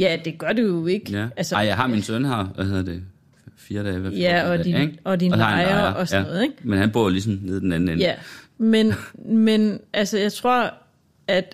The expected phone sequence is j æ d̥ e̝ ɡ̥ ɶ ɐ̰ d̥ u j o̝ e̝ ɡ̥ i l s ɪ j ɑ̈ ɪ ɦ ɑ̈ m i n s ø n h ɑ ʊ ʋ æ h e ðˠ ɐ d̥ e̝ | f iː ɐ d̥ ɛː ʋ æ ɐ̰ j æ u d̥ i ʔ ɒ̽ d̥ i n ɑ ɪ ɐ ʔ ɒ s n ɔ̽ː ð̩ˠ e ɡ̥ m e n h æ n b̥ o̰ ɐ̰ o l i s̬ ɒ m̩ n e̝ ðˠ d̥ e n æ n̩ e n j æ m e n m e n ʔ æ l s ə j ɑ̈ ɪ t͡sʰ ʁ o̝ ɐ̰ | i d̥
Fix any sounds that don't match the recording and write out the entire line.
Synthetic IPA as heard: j æ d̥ e̝ ɡ̥ ɶ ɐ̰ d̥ u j o̝ e̝ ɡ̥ æ l s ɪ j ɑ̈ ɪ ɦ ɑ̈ m i n s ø n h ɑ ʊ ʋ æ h e ðˠ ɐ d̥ e̝ | f iː ɐ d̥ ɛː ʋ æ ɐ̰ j æ ɒ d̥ i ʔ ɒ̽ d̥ i n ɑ ɪ ɐ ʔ ɒ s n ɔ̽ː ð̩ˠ e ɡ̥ m e n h æ n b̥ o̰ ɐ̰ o l i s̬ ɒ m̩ n e̝ ðˠ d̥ e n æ n̩ e n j æ m e n m e n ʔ æ l s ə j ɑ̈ ɪ t͡sʰ ʁ o̝ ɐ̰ | æ d̥